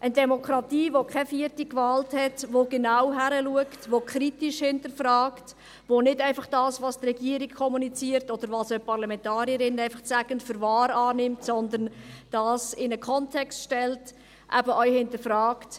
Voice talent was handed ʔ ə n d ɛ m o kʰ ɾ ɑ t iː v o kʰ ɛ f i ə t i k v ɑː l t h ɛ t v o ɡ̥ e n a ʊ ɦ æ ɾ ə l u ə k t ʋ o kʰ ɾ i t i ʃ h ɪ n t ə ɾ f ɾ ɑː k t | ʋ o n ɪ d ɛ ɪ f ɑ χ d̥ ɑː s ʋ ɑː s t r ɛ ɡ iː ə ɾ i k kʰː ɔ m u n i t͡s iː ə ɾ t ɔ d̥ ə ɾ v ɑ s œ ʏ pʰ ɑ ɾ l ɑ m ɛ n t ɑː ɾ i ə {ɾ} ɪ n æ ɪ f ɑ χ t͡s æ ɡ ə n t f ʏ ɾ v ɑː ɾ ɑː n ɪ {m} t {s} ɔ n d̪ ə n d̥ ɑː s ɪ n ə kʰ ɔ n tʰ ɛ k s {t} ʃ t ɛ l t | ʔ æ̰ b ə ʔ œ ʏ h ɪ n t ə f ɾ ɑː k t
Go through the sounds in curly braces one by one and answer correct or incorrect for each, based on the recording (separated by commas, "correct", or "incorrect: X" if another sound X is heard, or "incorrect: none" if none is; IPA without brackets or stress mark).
correct, correct, correct, correct